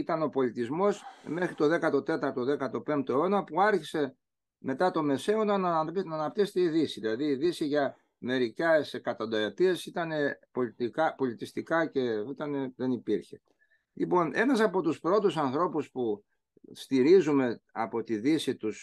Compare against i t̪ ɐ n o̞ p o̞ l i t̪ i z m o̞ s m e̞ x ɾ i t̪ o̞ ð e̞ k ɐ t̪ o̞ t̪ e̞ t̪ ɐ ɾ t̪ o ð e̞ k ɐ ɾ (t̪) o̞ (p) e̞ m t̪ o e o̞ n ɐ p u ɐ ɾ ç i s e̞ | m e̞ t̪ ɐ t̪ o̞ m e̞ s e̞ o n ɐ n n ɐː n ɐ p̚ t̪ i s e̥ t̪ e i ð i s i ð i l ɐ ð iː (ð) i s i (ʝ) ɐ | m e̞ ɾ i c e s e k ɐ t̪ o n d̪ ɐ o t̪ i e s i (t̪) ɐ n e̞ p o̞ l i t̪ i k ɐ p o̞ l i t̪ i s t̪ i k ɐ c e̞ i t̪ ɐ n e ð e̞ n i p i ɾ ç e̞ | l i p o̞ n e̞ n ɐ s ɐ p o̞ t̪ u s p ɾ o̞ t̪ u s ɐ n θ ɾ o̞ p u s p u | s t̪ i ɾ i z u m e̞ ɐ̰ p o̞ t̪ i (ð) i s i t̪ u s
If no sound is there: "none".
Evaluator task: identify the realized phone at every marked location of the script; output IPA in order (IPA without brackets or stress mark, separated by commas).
t̪, p, ð, ʝ, t̪, ð